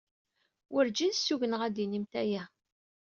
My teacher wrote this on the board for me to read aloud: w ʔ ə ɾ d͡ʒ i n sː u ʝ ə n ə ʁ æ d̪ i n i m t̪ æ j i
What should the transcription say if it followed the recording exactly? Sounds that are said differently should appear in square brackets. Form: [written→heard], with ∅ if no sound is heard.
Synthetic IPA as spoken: w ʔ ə ɾ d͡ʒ i n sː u ʝ ə n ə ʁ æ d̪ i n i m t̪ æ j [i→æ]